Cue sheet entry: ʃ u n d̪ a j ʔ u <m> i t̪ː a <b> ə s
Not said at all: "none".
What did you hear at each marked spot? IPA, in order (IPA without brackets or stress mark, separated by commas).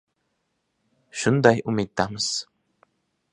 m, m